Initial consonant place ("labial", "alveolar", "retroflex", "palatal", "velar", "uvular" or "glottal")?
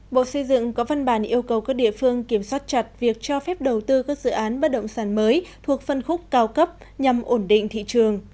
labial